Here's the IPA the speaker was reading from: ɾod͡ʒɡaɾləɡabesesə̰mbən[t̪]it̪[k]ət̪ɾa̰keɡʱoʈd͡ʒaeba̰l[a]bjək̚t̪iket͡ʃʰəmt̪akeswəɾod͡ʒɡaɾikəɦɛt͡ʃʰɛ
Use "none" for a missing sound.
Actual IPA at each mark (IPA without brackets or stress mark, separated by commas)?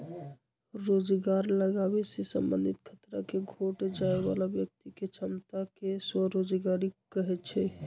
d̪, kʰ, a